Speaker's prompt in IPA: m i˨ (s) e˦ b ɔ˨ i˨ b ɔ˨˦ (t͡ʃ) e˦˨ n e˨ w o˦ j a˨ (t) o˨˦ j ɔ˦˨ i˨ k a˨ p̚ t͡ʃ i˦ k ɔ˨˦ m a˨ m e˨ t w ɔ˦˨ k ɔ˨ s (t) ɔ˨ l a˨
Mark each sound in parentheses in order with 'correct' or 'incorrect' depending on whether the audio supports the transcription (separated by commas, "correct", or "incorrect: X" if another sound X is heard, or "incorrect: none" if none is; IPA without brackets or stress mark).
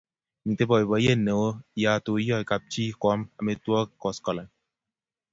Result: incorrect: t, incorrect: none, correct, incorrect: k